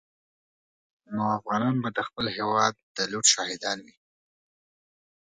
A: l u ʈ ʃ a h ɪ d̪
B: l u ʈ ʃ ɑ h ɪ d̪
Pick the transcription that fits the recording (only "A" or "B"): B